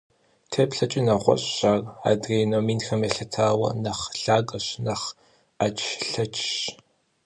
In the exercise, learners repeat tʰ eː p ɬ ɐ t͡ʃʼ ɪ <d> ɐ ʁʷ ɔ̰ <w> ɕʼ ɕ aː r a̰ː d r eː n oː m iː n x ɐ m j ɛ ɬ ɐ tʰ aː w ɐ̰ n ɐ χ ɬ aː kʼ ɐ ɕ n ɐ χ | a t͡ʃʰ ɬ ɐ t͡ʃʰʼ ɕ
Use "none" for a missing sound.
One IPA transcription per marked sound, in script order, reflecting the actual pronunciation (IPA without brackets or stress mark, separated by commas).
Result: n, none